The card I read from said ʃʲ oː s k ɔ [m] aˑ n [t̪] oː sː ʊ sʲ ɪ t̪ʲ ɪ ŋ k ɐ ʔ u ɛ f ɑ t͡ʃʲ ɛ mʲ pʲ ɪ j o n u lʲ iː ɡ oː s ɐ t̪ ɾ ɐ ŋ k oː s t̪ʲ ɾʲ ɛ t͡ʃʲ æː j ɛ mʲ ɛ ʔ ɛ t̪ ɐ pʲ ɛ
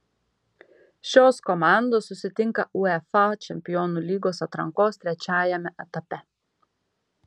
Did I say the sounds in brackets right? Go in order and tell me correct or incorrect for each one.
correct, incorrect: d̪

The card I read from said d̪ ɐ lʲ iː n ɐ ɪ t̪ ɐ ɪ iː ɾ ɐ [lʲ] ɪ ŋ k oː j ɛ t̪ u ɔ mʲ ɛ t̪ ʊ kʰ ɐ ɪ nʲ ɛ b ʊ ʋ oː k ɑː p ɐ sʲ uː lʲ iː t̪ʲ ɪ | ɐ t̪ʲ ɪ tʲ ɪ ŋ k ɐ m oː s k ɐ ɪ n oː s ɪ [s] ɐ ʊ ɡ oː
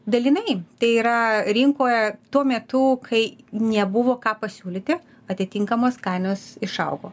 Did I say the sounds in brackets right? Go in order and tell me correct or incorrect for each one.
incorrect: ɾʲ, incorrect: ʃ

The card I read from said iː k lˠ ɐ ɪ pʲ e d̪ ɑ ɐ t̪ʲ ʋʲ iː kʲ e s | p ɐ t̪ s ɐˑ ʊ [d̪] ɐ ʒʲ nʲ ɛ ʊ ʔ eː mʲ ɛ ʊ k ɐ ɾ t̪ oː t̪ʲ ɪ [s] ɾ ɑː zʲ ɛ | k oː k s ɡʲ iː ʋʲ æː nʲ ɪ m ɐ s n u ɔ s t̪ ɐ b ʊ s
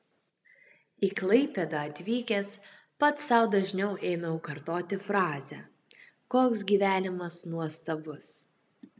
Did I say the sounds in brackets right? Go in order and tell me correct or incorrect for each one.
correct, incorrect: f

